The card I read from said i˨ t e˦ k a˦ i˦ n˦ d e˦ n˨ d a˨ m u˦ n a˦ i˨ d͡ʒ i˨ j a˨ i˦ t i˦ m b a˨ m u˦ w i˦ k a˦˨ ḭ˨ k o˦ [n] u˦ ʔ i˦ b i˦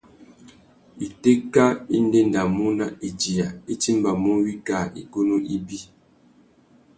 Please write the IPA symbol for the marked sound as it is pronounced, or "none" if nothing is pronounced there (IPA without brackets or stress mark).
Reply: n